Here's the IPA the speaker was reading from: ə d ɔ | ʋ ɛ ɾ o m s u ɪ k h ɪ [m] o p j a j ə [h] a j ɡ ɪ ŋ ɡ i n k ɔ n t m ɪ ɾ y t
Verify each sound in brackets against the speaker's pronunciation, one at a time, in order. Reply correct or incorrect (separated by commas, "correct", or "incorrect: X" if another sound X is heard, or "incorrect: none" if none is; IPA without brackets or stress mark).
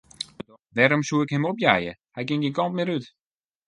correct, correct